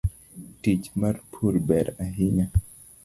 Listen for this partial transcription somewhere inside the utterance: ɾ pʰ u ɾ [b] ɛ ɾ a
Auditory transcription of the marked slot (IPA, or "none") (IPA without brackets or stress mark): b